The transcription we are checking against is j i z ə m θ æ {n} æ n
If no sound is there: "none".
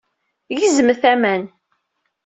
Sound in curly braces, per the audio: m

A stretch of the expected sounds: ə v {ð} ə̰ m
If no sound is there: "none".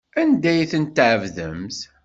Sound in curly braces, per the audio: ð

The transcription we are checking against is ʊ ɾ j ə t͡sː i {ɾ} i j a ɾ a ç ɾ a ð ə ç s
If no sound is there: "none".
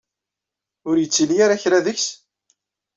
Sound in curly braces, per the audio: l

